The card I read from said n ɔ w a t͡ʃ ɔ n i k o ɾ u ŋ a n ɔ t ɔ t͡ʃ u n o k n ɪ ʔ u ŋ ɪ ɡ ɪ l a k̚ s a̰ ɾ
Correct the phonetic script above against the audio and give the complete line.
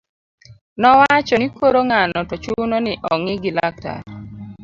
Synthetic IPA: n ɔ w a t͡ʃ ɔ n i k o ɾ o ŋ a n ɔ t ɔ t͡ʃ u n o n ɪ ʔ ɔ ŋ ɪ ɡ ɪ l a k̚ t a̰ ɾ